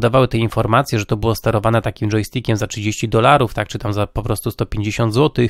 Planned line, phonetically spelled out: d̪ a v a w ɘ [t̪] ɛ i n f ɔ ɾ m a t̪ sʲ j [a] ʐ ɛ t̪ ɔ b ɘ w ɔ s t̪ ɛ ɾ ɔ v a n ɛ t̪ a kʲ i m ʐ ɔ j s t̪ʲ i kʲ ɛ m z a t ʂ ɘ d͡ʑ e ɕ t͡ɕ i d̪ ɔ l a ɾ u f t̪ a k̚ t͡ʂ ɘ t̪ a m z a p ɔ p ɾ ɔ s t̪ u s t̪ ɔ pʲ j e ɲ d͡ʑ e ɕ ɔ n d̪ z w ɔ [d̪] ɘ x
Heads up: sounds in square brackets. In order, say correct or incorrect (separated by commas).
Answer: correct, incorrect, incorrect